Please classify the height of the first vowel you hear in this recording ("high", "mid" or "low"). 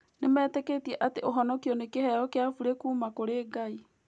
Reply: mid